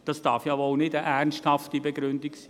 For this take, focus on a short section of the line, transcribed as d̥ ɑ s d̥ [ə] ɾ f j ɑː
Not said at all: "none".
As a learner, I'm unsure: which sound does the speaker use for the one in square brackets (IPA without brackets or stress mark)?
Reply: ɑ